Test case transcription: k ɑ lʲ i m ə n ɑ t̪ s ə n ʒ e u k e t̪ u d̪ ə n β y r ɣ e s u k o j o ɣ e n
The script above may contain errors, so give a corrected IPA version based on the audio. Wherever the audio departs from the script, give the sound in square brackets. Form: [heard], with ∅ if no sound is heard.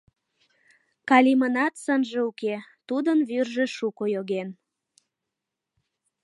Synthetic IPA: k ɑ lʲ i m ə n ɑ t̪ s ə n ʒ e u k e t̪ u d̪ ə n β y r [ʒ] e [ʃ] u k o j o ɣ e n